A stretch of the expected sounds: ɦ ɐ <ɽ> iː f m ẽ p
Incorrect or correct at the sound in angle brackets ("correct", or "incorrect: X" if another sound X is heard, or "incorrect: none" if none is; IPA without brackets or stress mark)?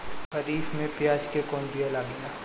incorrect: ɾ